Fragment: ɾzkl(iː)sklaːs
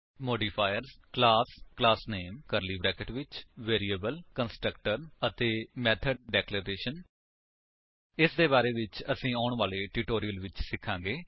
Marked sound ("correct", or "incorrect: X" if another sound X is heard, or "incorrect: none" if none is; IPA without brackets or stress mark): incorrect: aː